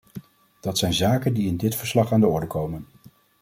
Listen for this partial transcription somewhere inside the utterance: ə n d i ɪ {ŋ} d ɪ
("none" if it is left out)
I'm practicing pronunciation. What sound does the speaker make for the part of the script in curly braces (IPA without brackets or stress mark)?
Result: n